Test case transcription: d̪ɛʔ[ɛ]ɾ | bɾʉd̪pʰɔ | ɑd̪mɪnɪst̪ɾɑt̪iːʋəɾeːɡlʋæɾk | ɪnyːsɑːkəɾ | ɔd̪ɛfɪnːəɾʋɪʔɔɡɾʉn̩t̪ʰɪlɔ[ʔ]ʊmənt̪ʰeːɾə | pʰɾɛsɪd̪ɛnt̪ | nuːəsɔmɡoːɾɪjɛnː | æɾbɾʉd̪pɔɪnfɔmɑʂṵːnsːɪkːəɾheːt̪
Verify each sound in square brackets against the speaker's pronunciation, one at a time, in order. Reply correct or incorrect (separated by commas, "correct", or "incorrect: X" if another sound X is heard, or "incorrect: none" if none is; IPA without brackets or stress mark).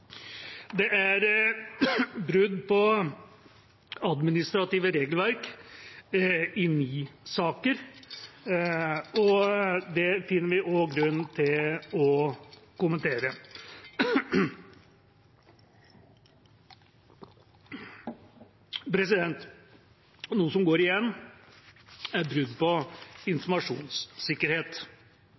incorrect: æ, incorrect: k